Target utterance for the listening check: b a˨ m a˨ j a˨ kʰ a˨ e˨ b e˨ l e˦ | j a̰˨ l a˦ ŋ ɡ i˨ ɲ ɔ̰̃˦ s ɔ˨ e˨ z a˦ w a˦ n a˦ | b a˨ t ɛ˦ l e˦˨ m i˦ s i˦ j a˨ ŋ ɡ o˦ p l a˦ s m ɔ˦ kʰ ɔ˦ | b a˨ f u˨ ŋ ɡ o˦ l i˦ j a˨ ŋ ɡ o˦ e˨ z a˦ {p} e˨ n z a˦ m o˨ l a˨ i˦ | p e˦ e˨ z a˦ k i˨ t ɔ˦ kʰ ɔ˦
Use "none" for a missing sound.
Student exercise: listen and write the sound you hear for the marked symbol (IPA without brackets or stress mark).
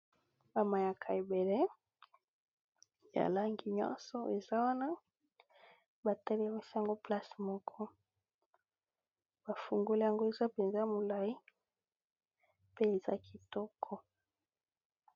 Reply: p